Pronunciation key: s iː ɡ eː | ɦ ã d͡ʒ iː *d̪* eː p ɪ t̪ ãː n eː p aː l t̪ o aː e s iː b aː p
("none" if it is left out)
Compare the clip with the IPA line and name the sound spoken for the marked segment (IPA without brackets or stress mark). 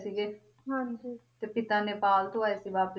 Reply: t̪